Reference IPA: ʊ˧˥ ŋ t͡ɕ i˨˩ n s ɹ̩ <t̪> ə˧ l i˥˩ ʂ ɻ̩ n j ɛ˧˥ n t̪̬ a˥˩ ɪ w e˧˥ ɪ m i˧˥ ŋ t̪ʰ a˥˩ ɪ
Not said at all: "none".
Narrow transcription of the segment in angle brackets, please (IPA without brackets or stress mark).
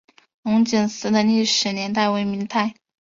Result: d̪